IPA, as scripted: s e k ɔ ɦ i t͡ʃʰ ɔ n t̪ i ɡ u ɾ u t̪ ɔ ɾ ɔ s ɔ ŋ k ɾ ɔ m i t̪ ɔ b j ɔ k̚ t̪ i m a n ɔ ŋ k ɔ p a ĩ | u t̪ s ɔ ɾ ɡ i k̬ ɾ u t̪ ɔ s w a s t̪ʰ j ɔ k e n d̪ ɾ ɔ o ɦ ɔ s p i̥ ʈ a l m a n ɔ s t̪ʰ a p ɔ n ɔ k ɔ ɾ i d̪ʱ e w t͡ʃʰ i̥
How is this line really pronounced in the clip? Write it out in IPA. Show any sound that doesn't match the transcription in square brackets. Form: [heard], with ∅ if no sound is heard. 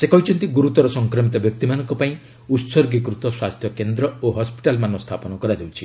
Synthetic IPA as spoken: s e k ɔ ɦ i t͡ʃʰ ɔ n t̪ i ɡ u ɾ u t̪ ɔ ɾ ɔ s ɔ ŋ k ɾ ɔ m i t̪ ɔ b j ɔ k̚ t̪ i m a n ɔ ŋ k ɔ p a ĩ | u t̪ s ɔ ɾ ɡ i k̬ ɾ u t̪ ɔ s w a s t̪ʰ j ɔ k e n d̪ ɾ ɔ o ɦ ɔ s p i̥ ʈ a l m a n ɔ s t̪ʰ a p ɔ n ɔ k ɔ ɾ [a] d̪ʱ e w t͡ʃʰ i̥